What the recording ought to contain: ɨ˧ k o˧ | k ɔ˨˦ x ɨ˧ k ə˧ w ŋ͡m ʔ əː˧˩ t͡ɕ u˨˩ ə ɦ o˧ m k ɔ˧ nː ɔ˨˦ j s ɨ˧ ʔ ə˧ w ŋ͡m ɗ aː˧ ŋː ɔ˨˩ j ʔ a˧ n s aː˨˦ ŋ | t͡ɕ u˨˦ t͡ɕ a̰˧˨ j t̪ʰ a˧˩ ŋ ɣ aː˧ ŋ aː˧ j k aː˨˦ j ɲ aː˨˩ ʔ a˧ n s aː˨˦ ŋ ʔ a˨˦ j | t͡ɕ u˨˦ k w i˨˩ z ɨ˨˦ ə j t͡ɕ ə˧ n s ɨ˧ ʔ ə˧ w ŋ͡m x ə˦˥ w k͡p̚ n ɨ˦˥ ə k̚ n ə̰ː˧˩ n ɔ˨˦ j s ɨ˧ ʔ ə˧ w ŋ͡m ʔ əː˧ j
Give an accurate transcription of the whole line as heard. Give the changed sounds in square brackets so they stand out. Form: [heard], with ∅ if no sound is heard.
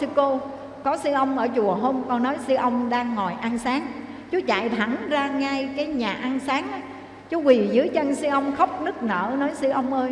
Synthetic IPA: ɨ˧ k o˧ | k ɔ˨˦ [s] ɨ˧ [ʔ] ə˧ w ŋ͡m ʔ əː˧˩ t͡ɕ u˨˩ ə ɦ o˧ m k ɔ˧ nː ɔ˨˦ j s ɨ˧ ʔ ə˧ w ŋ͡m ɗ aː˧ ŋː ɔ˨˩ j ʔ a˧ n s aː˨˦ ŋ | t͡ɕ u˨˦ t͡ɕ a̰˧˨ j t̪ʰ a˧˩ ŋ [z] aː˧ ŋ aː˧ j k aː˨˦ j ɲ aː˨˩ ʔ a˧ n s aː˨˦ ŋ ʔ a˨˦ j | t͡ɕ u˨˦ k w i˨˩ z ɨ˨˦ ə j t͡ɕ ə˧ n s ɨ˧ ʔ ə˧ w ŋ͡m x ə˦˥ w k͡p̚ n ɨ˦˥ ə k̚ n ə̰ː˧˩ n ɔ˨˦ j s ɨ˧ ʔ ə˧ w ŋ͡m ʔ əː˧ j